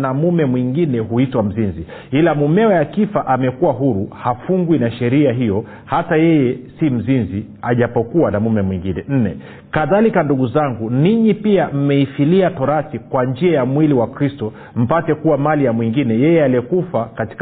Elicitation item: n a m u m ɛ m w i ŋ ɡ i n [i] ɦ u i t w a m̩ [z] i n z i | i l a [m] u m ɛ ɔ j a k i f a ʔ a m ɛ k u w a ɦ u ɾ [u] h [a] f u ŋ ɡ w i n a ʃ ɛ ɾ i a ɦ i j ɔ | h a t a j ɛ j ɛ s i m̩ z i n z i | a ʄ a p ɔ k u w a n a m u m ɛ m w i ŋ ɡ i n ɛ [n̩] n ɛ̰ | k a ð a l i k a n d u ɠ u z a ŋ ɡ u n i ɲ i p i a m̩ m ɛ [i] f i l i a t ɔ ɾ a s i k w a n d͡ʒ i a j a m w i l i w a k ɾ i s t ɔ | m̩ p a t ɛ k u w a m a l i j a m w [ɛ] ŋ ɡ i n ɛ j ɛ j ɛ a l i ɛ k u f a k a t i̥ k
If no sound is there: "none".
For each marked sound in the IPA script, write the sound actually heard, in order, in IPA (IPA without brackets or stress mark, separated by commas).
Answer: ɛ, z, m, u, a, n̩, i, i